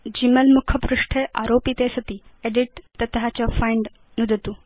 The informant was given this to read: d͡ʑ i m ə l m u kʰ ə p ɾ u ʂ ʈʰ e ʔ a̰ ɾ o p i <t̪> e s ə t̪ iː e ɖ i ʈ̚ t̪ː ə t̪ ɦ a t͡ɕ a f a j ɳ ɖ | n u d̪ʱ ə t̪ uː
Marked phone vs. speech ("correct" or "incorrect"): correct